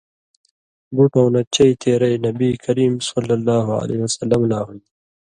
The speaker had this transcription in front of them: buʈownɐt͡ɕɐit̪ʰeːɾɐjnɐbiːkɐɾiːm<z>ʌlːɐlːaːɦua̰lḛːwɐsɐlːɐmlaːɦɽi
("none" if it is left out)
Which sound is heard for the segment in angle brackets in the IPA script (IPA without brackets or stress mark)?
s